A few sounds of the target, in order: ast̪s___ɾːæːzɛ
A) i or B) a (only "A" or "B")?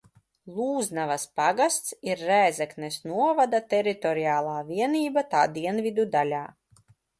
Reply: A